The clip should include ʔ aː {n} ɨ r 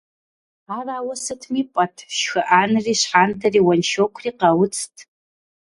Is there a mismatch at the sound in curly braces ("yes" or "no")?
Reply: no